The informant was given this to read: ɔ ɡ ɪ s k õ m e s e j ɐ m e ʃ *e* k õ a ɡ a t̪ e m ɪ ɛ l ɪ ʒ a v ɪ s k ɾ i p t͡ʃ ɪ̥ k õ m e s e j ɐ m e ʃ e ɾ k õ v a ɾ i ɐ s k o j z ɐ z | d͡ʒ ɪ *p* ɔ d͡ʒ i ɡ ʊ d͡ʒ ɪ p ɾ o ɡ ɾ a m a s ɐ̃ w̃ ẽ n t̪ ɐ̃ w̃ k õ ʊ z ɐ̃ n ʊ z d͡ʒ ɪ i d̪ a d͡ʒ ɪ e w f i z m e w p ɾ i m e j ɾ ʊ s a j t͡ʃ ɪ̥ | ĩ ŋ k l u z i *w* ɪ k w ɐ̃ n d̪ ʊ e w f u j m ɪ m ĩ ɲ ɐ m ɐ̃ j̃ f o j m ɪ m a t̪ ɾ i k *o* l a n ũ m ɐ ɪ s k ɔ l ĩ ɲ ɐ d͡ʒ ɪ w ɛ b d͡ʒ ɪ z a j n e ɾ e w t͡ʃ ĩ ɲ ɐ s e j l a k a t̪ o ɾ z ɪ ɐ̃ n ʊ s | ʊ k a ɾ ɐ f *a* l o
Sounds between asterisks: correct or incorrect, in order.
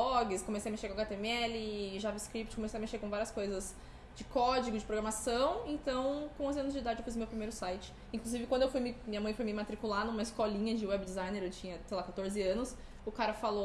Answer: correct, incorrect, incorrect, incorrect, correct

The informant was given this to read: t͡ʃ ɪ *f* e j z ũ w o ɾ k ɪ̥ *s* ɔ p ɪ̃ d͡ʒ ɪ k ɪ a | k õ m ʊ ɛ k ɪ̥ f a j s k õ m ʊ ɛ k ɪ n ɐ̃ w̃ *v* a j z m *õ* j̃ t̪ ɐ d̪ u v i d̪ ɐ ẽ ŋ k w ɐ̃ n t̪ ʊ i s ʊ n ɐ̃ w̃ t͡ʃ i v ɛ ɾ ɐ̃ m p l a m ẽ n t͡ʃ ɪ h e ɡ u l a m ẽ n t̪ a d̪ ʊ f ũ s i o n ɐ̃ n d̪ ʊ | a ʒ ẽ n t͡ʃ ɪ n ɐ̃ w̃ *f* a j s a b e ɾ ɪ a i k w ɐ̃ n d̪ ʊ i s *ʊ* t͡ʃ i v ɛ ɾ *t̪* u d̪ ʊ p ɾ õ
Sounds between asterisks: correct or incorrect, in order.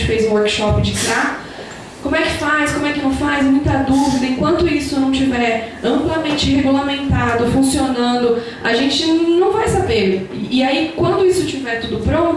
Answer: correct, incorrect, incorrect, incorrect, incorrect, correct, correct

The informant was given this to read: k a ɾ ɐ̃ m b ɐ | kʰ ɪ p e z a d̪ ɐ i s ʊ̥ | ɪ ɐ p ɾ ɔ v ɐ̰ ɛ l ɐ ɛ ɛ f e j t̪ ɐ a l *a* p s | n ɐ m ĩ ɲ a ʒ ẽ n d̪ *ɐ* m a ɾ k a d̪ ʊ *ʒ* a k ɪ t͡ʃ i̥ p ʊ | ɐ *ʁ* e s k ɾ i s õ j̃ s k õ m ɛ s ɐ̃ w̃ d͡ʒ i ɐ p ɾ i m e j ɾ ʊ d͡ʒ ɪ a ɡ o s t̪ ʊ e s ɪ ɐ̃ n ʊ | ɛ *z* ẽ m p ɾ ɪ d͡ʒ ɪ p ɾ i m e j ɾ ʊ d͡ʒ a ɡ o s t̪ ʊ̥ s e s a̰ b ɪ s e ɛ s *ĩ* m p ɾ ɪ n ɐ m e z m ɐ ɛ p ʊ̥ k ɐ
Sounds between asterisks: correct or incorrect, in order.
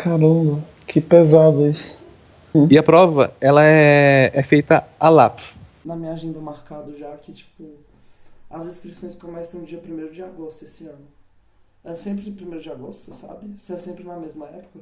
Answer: correct, correct, correct, incorrect, incorrect, incorrect

